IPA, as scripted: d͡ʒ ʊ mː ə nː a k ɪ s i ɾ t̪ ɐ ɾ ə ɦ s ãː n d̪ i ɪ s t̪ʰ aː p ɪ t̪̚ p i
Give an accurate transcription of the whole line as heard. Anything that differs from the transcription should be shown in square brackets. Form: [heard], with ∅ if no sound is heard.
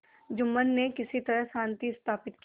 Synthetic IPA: d͡ʒ ʊ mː ə nː [e] k ɪ s i [∅] t̪ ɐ ɾ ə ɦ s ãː n [t̪] i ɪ s t̪ʰ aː p ɪ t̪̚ [k] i

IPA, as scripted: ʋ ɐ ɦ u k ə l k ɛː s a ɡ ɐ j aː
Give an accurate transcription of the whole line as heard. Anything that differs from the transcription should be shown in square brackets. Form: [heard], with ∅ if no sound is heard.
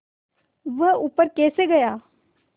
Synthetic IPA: ʋ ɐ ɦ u [p] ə [ɾ] k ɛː s [e] ɡ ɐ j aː

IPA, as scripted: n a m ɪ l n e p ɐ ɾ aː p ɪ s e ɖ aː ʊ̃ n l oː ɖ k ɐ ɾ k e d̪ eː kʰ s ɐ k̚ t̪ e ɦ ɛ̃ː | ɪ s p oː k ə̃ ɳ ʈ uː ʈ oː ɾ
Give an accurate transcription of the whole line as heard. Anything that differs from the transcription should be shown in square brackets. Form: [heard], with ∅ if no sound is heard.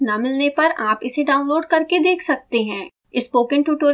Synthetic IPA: n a m ɪ l n e p ɐ ɾ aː p ɪ s e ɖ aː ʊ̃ n l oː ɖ k ɐ ɾ k e d̪ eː kʰ s ɐ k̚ t̪ e ɦ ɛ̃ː | ɪ s p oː k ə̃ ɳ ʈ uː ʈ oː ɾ

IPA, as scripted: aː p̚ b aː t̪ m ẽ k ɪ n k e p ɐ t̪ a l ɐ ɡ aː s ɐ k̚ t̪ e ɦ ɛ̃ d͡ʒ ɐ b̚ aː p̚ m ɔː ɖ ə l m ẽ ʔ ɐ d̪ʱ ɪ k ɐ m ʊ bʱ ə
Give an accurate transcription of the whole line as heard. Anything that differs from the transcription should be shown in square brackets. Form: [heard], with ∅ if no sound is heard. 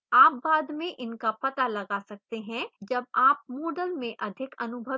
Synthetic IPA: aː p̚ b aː [d̪] m ẽ [ʔ] ɪ n k [a] p ɐ t̪ a l ɐ ɡ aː s ɐ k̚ t̪ e ɦ ɛ̃ d͡ʒ ɐ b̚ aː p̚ m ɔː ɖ ə l m ẽ ʔ ɐ d̪ʱ ɪ k ɐ [n] ʊ bʱ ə

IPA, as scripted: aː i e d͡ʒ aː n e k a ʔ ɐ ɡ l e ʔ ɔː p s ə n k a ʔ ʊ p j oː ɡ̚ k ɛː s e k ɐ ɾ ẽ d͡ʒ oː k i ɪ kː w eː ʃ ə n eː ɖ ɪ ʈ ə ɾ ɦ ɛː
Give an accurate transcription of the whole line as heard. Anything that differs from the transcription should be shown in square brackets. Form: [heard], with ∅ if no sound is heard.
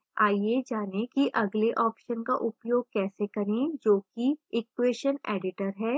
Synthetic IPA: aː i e d͡ʒ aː n e k [i] ʔ ɐ ɡ l e ʔ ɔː p [ʃ] ə n k a ʔ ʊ p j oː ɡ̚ k ɛː s e k ɐ ɾ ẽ d͡ʒ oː k i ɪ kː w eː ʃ ə n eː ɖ ɪ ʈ ə ɾ ɦ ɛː

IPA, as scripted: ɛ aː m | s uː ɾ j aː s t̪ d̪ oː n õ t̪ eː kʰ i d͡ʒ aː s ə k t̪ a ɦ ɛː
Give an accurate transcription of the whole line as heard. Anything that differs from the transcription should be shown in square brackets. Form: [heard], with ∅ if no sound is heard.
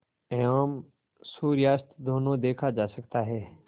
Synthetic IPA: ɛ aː m | s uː ɾ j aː s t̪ d̪ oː n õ [d̪] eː kʰ [a] d͡ʒ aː s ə k t̪ a ɦ ɛː

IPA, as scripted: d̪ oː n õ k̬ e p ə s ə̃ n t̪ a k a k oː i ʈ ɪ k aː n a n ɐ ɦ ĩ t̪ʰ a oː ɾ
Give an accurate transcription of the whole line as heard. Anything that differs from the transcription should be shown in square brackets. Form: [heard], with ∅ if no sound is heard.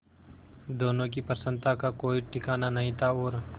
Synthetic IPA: d̪ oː n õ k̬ [i] p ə s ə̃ n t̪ a k a k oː i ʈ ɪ k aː n a n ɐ ɦ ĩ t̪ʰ a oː ɾ

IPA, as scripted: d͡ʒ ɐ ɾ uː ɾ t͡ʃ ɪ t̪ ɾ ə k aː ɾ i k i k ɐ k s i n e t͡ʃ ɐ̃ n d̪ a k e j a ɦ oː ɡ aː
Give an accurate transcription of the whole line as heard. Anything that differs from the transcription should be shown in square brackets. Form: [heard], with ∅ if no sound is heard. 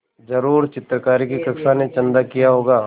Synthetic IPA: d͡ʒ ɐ ɾ uː ɾ t͡ʃ ɪ t̪ ɾ ə k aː ɾ i k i k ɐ k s [a] n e t͡ʃ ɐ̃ n d̪ a k [i] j a ɦ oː ɡ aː

